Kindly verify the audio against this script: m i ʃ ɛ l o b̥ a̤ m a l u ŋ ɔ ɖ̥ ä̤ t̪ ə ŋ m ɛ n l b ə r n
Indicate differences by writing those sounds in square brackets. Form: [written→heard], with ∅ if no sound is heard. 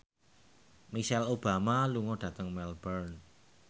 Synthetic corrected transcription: m i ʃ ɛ l o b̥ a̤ m a l u ŋ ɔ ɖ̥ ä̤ t̪ ə ŋ m ɛ [n→∅] l b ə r n